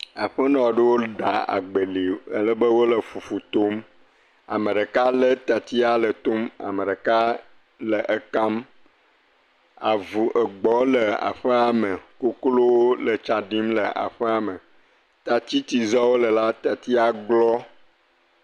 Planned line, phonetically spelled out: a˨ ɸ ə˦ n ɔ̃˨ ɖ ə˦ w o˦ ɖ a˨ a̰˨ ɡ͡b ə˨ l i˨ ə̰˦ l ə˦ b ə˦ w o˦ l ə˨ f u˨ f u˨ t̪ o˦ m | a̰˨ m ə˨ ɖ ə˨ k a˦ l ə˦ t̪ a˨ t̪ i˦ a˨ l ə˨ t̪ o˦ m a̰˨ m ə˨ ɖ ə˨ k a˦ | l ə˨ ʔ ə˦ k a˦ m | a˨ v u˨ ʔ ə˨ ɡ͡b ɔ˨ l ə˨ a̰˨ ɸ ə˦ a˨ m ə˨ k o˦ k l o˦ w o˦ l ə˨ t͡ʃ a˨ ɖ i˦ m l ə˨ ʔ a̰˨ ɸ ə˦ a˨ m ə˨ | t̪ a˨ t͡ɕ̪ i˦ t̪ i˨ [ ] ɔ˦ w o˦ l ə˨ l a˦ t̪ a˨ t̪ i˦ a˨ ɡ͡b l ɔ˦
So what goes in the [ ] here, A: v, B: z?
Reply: B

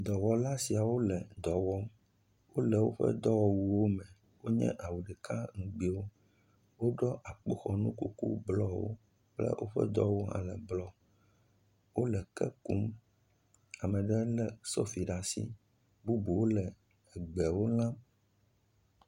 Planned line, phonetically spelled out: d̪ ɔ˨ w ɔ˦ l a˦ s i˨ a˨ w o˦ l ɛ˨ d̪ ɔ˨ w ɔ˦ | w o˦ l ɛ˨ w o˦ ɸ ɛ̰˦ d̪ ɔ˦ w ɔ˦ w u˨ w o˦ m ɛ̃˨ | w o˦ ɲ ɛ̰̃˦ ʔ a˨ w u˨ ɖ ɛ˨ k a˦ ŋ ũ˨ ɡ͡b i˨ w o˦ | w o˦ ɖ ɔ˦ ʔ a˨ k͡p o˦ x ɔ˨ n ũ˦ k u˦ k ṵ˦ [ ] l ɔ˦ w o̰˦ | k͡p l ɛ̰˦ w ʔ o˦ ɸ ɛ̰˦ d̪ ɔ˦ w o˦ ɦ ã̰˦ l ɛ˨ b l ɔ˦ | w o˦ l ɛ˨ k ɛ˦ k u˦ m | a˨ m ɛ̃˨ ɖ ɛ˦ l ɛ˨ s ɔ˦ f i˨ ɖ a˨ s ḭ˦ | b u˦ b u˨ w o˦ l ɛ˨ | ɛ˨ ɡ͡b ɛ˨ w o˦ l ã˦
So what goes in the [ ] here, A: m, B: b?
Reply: B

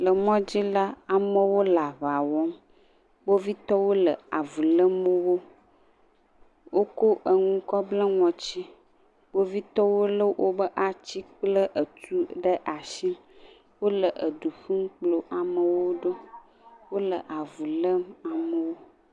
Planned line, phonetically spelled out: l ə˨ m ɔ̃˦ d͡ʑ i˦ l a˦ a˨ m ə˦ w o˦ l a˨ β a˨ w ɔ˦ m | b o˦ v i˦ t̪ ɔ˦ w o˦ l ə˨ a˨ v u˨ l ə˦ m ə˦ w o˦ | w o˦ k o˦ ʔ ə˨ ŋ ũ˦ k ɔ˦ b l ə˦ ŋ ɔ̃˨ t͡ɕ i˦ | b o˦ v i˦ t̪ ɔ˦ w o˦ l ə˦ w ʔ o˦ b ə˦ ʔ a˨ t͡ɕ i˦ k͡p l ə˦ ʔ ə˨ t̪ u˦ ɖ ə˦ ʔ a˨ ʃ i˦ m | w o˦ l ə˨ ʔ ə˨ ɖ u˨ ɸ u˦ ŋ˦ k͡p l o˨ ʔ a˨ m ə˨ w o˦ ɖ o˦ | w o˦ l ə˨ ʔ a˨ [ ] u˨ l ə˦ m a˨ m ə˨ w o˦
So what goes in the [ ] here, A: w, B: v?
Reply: B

